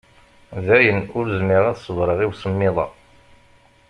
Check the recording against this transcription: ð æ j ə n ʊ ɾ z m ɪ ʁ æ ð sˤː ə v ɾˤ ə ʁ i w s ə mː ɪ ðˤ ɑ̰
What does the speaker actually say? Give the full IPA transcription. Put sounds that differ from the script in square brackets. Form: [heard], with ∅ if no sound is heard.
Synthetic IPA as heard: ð æ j ə n ʊ ɾ z m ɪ ʁ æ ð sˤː ə v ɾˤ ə ʁ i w s ə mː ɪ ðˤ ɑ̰